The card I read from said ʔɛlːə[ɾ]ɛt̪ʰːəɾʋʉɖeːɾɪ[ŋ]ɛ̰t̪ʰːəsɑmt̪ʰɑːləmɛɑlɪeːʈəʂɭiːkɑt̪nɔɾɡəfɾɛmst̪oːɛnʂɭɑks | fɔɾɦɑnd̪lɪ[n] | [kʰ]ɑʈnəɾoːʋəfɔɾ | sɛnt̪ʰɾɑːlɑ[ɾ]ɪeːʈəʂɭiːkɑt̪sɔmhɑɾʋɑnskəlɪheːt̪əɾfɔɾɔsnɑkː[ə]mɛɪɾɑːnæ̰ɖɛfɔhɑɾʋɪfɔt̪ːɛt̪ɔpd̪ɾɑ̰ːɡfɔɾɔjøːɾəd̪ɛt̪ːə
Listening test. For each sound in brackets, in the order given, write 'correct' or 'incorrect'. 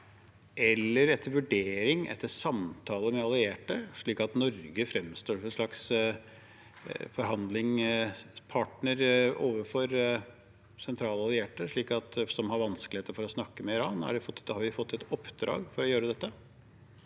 correct, correct, incorrect: ŋ, incorrect: pʰ, incorrect: l, correct

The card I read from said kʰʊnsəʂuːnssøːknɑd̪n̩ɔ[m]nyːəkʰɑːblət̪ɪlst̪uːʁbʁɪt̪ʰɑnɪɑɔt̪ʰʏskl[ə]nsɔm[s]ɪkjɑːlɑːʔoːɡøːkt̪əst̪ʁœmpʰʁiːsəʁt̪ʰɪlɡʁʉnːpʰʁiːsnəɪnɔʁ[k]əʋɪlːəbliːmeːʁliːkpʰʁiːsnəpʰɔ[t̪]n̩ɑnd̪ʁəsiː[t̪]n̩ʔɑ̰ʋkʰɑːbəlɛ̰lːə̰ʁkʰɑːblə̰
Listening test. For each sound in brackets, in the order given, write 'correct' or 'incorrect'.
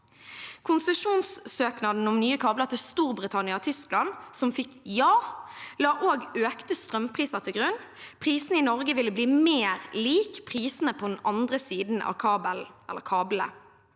correct, incorrect: ɑ, incorrect: f, incorrect: ɡ, incorrect: d̪, incorrect: d̪

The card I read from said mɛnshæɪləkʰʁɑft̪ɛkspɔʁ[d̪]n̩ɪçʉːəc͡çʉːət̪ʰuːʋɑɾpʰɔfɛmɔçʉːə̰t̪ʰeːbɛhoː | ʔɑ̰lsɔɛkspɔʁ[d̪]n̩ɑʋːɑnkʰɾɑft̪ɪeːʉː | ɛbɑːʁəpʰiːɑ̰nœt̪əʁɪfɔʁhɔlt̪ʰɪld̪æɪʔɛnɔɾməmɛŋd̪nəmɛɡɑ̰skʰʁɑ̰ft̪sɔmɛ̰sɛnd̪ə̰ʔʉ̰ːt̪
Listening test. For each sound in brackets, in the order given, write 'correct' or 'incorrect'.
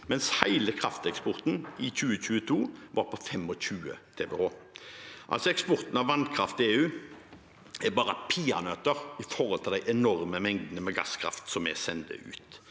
incorrect: t̪, incorrect: t̪

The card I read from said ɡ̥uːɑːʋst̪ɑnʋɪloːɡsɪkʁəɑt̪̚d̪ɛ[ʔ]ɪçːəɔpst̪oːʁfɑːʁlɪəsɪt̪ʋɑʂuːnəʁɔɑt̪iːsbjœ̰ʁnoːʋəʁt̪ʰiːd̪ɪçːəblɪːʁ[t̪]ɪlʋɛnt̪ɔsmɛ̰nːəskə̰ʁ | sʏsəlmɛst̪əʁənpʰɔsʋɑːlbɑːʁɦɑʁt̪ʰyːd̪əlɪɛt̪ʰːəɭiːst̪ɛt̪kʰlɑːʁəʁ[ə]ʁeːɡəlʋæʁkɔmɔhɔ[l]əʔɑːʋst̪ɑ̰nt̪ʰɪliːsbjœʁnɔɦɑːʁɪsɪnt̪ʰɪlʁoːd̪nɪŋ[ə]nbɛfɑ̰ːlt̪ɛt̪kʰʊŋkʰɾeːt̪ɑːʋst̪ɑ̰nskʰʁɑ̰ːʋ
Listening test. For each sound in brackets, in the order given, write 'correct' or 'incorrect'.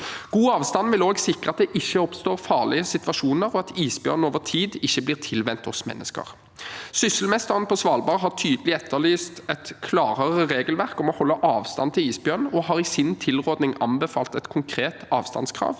correct, incorrect: t̪ʰ, correct, incorrect: lː, incorrect: ɑ

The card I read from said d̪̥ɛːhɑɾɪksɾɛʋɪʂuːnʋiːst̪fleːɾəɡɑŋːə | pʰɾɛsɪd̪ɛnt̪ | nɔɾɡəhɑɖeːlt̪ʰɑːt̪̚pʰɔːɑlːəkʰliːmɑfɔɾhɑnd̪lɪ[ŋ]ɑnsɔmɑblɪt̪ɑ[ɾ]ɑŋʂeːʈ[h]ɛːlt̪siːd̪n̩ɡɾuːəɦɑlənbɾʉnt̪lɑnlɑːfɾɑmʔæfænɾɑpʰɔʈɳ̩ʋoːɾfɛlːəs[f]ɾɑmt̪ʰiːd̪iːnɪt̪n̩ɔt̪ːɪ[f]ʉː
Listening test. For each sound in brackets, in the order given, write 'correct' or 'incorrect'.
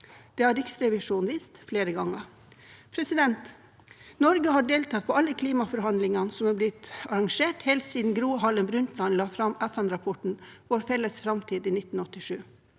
correct, correct, correct, correct, incorrect: ʂ

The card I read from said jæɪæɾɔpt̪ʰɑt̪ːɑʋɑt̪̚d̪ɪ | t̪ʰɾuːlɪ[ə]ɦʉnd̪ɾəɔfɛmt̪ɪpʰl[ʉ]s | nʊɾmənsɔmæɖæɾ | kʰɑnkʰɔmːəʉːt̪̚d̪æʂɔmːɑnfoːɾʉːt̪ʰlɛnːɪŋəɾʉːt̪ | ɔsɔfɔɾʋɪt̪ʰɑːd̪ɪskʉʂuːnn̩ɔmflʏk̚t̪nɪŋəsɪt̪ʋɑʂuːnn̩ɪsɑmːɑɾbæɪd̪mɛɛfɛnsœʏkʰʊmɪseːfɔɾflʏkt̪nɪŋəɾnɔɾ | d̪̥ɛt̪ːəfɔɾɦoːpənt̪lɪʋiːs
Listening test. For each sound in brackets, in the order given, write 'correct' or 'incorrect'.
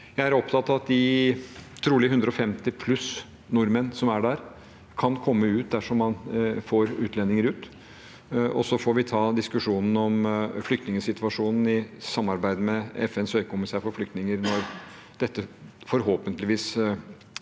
correct, correct

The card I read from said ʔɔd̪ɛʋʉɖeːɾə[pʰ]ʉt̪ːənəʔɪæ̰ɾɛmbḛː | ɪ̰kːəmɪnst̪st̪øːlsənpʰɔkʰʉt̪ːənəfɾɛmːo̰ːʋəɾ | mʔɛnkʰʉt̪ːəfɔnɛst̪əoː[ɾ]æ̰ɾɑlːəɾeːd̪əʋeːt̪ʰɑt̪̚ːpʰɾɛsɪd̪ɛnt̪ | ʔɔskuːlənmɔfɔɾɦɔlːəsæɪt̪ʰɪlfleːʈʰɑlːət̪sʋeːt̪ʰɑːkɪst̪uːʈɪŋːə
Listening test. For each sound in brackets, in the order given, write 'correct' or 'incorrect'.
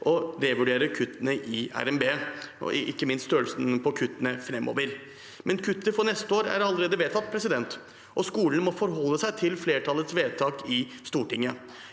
incorrect: kʰ, correct

